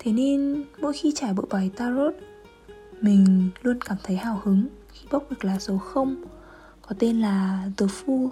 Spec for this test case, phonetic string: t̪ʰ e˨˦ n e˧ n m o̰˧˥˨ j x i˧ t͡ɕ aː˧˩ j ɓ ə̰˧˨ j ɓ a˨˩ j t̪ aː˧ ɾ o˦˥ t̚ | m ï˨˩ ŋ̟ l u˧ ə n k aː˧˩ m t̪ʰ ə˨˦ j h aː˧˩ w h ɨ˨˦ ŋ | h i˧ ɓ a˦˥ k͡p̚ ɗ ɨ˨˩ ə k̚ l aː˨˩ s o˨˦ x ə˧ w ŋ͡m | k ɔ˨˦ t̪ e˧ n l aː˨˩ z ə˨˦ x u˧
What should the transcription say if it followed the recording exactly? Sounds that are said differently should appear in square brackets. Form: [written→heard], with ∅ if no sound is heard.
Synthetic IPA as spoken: t̪ʰ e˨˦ n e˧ n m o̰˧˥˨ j x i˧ t͡ɕ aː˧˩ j ɓ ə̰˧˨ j ɓ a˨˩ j t̪ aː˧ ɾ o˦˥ t̚ | m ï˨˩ ŋ̟ l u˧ ə n k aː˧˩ m t̪ʰ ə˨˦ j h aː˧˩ w h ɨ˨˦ ŋ | [h→x] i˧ ɓ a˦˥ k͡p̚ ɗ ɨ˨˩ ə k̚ l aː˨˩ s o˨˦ x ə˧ w ŋ͡m | k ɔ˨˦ t̪ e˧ n l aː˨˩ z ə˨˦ [x→f] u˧